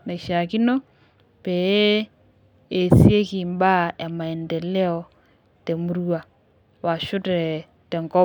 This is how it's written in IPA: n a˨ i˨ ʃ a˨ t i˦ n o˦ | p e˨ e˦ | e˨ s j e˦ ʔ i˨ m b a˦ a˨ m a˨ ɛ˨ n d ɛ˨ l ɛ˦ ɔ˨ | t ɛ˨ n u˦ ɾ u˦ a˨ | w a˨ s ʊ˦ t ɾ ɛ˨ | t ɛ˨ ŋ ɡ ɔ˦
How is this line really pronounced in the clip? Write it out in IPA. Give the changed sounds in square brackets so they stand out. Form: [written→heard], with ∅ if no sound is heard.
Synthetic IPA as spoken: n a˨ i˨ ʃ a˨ [t→k] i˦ n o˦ | p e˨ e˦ | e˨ s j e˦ [ʔ→k] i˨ m b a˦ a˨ m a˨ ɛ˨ n d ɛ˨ l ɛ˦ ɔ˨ | t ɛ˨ [n→m] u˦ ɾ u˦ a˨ | w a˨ [s→ʃ] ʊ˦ t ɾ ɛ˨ | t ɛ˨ ŋ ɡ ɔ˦